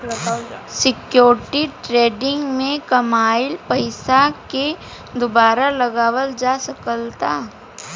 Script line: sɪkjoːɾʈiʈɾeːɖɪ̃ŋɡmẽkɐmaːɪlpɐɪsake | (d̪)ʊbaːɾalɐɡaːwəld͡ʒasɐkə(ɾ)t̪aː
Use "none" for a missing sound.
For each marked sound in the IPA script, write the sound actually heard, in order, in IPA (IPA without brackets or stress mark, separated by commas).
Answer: d̪, l